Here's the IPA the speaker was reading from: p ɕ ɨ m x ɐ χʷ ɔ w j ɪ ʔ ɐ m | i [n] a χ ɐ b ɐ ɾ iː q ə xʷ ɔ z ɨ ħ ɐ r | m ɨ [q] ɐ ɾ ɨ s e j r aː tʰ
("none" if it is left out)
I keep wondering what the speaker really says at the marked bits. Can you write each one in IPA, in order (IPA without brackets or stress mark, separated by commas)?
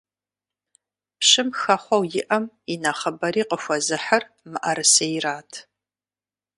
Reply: n, ʔ